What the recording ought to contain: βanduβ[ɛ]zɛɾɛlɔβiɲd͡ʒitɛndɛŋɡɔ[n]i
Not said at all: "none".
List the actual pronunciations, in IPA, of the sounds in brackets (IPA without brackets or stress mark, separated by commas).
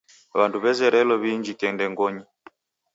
ɛ, ɲ